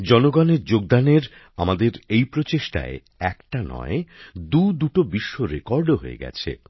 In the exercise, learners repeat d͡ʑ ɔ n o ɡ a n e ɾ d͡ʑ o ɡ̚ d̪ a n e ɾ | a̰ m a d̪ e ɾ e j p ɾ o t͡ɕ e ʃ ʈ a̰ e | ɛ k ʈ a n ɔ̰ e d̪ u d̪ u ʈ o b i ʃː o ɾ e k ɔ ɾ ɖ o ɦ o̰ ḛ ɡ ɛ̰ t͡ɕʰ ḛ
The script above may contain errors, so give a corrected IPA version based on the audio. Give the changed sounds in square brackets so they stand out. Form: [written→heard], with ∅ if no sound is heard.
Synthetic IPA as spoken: d͡ʑ ɔ n o ɡ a n e ɾ d͡ʑ o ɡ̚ d̪ a n e ɾ | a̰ m a d̪ e ɾ e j p ɾ o t͡ɕ e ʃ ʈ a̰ e | ɛ k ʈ a n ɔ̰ e d̪ u d̪ u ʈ o b i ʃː o ɾ e k ɔ ɾ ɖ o ɦ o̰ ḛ ɡ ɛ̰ t͡ɕʰ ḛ